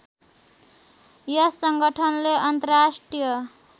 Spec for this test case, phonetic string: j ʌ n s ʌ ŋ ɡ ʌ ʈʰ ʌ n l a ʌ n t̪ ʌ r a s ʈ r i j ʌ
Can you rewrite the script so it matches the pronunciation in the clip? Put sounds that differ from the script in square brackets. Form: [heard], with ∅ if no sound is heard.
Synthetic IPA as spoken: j ʌ [∅] s ʌ ŋ ɡ ʌ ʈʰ ʌ n l [e] ʌ n t̪ ʌ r a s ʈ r i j ʌ